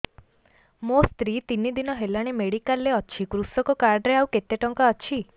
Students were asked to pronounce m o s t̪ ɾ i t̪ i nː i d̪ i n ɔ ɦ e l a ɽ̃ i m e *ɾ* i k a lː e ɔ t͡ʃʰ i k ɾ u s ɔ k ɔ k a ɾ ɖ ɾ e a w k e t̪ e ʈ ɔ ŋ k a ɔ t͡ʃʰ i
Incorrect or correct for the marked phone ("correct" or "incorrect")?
incorrect